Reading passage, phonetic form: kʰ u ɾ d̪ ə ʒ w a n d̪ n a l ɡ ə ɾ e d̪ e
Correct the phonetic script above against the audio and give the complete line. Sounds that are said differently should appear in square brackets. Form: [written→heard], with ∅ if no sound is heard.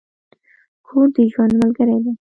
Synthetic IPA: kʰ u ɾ d̪ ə ʒ w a n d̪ [n→m] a l ɡ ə ɾ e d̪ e